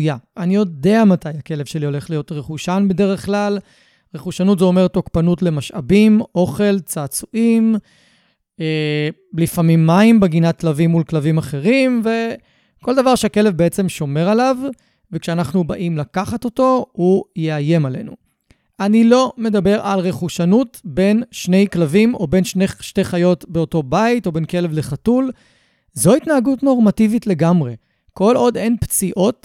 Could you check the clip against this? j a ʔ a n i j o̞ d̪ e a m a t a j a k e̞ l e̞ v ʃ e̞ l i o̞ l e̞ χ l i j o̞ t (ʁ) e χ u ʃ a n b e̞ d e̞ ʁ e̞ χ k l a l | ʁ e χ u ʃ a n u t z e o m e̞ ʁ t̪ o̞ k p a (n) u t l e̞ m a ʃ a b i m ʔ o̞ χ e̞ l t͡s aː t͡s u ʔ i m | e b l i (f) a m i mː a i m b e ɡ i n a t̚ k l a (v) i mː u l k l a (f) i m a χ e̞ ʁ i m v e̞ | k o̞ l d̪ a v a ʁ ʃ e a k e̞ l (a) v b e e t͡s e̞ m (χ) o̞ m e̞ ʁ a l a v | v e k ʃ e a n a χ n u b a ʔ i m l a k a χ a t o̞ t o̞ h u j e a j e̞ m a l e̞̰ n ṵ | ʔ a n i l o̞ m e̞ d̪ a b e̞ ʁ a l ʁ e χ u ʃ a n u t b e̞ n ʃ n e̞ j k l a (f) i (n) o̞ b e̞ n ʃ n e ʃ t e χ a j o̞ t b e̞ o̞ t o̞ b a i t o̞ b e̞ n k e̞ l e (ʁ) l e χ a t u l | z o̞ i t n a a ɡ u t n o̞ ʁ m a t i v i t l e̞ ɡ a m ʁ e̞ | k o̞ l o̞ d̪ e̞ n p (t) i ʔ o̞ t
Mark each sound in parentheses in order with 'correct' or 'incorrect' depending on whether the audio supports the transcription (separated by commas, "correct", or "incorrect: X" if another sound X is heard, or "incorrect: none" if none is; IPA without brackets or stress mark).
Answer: correct, correct, correct, correct, incorrect: v, incorrect: e, incorrect: ʃ, incorrect: v, incorrect: m, incorrect: v, incorrect: t͡s